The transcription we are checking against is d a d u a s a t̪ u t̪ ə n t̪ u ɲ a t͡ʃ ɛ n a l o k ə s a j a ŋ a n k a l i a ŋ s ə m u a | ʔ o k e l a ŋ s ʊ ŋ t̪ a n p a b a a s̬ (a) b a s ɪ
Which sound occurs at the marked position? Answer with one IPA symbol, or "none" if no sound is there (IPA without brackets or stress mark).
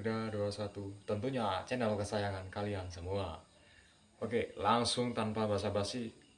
a